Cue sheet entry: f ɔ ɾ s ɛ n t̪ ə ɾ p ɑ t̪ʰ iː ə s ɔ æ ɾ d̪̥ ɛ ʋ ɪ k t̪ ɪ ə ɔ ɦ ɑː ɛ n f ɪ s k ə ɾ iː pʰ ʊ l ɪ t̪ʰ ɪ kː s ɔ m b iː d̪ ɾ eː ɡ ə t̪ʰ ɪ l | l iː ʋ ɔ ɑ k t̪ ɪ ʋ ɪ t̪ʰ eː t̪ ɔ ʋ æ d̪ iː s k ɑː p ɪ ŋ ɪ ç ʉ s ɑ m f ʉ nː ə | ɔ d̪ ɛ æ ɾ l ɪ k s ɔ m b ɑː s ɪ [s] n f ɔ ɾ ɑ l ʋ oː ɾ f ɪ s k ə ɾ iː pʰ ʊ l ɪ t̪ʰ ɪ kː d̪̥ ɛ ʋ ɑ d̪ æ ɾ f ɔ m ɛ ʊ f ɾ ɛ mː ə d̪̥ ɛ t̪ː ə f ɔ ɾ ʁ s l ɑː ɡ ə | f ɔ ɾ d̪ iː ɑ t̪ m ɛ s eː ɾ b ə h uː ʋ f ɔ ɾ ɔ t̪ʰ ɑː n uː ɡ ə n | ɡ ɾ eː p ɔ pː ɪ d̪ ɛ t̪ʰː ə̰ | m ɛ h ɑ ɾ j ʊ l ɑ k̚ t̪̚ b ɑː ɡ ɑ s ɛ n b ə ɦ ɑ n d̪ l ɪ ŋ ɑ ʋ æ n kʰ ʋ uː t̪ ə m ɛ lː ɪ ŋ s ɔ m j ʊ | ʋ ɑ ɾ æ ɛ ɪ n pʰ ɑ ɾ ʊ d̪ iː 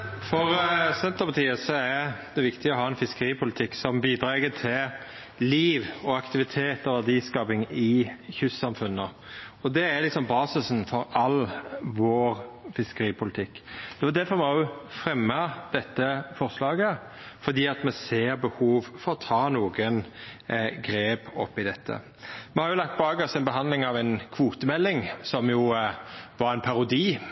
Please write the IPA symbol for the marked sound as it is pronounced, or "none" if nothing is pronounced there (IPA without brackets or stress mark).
s